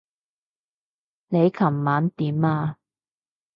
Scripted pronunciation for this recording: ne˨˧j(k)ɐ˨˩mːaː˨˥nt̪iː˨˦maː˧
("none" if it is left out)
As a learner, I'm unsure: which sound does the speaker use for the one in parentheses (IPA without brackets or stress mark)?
kʰ